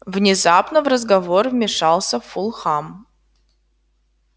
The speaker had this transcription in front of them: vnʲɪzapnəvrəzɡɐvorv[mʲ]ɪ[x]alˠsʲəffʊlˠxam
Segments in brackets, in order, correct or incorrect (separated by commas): correct, incorrect